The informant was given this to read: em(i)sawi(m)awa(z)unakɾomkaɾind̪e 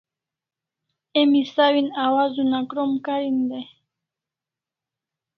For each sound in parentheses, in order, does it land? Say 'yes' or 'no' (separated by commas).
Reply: yes, no, yes